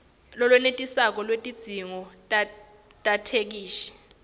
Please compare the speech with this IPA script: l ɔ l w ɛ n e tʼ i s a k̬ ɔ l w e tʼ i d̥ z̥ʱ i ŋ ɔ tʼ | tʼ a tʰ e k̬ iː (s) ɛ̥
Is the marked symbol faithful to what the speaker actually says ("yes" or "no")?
no